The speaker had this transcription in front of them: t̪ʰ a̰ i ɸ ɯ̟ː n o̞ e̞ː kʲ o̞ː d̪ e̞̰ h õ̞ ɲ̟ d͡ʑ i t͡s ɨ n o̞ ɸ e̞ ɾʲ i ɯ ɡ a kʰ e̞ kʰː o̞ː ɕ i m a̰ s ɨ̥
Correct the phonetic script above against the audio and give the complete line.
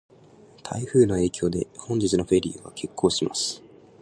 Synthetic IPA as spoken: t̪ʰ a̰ i ɸ ɯ̟ː n o̞ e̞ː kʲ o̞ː d̪ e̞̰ h õ̞ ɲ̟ d͡ʑ i t͡s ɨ n o̞ ɸ e̞ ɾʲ i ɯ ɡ a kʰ e̞ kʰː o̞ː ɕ i m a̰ s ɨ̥